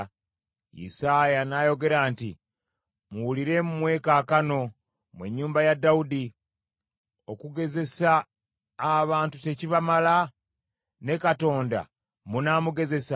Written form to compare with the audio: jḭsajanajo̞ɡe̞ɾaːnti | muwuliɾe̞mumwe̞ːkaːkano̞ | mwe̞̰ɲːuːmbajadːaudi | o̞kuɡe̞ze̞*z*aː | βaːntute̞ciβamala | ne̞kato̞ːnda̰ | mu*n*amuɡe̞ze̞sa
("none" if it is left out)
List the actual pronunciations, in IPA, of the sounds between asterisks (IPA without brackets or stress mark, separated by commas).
s, n